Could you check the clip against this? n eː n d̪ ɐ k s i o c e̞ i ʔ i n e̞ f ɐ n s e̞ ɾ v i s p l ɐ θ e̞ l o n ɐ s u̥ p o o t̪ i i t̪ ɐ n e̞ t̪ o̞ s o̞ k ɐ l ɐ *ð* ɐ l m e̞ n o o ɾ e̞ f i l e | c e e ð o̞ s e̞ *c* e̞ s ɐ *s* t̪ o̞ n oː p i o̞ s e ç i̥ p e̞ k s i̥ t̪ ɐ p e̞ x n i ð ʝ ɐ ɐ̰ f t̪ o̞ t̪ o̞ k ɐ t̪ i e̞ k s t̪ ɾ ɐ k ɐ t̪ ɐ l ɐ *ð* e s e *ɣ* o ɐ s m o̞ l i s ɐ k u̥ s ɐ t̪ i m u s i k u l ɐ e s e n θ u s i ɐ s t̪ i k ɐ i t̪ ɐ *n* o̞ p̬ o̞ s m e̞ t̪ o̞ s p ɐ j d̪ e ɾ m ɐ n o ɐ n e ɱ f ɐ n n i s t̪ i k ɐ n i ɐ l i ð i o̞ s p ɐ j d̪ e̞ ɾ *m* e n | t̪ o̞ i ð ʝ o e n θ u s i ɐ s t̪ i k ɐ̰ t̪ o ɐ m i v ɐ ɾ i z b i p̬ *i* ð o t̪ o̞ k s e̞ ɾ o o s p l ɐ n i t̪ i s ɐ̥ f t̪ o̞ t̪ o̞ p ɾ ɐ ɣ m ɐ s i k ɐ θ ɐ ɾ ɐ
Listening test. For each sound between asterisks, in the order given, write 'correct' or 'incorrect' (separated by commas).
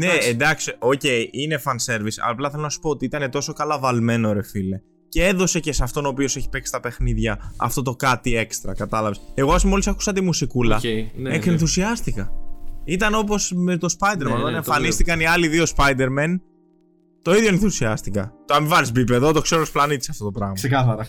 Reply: incorrect, correct, incorrect, incorrect, correct, correct, correct, incorrect